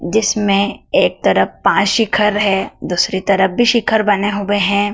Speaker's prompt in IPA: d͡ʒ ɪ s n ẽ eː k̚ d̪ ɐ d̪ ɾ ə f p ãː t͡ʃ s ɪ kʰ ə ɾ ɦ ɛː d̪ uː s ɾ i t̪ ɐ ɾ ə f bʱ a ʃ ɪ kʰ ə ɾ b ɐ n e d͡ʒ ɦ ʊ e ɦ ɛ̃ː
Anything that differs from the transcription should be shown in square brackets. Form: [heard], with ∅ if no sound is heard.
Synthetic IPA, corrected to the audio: d͡ʒ ɪ s [m] ẽ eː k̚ [t̪] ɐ [∅] ɾ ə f p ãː t͡ʃ [ʃ] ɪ kʰ ə ɾ ɦ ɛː d̪ uː s ɾ i t̪ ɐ ɾ ə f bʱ [i] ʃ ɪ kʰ ə ɾ b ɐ n e [∅] ɦ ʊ e ɦ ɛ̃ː